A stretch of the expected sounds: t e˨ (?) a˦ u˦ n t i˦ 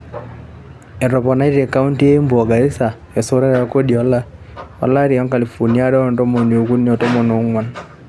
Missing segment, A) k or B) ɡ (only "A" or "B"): A